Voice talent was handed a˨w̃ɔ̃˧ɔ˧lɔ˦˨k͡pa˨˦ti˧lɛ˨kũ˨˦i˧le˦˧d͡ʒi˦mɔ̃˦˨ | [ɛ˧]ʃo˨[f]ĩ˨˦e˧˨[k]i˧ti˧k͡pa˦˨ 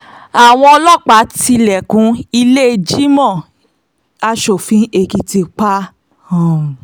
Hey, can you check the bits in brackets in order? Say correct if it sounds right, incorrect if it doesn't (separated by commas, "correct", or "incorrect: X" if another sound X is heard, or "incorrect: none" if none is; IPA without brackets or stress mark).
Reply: incorrect: a˧, correct, correct